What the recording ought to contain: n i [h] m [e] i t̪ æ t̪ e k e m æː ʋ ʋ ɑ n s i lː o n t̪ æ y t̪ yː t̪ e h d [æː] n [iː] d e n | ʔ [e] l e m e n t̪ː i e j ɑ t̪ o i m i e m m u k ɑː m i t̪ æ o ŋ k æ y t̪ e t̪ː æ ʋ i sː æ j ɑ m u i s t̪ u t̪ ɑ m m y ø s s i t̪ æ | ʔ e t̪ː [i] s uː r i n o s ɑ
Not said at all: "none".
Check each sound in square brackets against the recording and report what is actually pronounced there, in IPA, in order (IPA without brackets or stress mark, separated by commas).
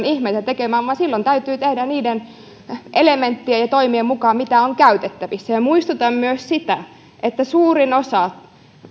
h, e, æ, iː, e, æ